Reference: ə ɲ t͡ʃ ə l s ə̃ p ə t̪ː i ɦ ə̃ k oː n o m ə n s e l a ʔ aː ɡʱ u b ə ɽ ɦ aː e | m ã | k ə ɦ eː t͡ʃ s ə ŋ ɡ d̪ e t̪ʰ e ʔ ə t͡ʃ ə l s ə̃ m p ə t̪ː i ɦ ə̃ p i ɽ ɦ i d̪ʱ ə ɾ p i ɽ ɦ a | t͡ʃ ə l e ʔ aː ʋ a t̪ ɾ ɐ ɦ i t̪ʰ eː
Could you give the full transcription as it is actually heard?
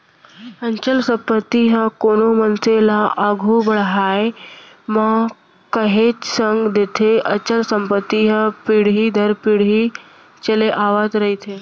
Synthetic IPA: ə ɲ t͡ʃ ə l s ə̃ p ə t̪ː i ɦ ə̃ k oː n o m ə n s e l a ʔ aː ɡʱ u b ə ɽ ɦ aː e | m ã | k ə ɦ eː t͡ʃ s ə ŋ ɡ d̪ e t̪ʰ e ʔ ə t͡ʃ ə l s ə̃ m p ə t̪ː i ɦ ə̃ p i ɽ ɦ i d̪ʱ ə ɾ p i ɽ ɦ i | t͡ʃ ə l e ʔ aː ʋ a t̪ ɾ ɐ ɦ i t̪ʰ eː